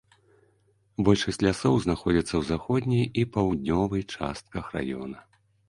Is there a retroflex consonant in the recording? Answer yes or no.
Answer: yes